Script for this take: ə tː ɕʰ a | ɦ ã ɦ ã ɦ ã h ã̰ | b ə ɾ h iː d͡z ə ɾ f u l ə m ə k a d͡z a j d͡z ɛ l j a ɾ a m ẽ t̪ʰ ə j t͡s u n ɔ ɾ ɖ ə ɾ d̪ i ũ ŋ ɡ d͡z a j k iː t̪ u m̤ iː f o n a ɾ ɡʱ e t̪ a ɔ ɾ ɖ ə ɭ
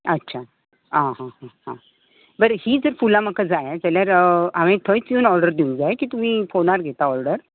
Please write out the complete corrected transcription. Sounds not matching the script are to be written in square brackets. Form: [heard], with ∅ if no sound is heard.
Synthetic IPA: ə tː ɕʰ a | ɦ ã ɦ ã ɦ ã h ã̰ | b ə ɾ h iː d͡z ə ɾ f u l [a] m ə k a d͡z a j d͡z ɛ l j a ɾ a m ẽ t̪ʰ ə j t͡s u n ɔ ɾ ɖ ə ɾ d̪ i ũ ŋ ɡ d͡z a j k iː t̪ u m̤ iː f o n a ɾ ɡʱ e t̪ a ɔ ɾ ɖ ə [ɾ]